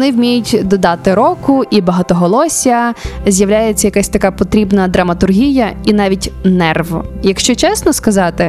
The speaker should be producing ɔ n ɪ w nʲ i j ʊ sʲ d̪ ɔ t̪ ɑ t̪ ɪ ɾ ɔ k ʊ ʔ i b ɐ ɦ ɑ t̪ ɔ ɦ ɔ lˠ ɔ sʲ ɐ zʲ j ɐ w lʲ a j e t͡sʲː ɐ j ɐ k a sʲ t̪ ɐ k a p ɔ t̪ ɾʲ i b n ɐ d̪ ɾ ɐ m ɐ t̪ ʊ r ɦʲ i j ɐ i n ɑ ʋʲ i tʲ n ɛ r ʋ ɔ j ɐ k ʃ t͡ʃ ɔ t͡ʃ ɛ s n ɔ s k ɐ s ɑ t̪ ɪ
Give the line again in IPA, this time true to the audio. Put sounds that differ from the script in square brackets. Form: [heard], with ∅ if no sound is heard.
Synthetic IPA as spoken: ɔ n ɪ w [mʲ] i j ʊ [tʲ] d̪ ɔ [d̪] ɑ t̪ ɪ ɾ ɔ k ʊ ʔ i b ɐ ɦ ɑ t̪ ɔ ɦ ɔ lˠ ɔ sʲ ɐ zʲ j ɐ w lʲ a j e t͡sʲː ɐ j ɐ k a sʲ t̪ ɐ k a p ɔ t̪ ɾʲ i b n ɐ d̪ ɾ ɐ m ɐ t̪ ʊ r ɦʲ i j ɐ i n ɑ ʋʲ i tʲ n ɛ r ʋ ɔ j ɐ k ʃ t͡ʃ ɔ t͡ʃ ɛ s n ɔ s k ɐ [z] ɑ t̪ ɪ